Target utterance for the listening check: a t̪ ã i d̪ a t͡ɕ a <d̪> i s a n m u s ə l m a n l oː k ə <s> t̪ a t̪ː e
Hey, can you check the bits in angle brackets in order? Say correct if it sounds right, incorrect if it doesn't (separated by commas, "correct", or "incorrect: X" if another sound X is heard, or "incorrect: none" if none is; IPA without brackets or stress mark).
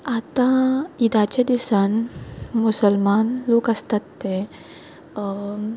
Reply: correct, correct